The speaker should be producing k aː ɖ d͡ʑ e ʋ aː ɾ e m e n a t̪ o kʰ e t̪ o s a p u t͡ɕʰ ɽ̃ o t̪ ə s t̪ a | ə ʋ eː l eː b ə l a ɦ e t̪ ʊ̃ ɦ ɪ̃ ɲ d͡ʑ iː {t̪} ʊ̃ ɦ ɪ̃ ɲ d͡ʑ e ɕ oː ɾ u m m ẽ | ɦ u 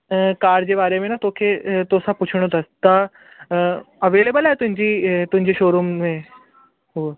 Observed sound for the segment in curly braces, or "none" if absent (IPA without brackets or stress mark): t̪